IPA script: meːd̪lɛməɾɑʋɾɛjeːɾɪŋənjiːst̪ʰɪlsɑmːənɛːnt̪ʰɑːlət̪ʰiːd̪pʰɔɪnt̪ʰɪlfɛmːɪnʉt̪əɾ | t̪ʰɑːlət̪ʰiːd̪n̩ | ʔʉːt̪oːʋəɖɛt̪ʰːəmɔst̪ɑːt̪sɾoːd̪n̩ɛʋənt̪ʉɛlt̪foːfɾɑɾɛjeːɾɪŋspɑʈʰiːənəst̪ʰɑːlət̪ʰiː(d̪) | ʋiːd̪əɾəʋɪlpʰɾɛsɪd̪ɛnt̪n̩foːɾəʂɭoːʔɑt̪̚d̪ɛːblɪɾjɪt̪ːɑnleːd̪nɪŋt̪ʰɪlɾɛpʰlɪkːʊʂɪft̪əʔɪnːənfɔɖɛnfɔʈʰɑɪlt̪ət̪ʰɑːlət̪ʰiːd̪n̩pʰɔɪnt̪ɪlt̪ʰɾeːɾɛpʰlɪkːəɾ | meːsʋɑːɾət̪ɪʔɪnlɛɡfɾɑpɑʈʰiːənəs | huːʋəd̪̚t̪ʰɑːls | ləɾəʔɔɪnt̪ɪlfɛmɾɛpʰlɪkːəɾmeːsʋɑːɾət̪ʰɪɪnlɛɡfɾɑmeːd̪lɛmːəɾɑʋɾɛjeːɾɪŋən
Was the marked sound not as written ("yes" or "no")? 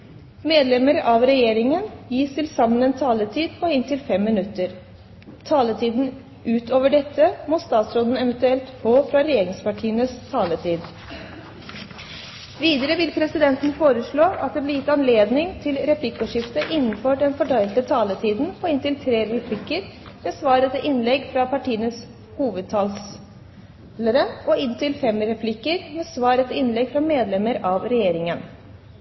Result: no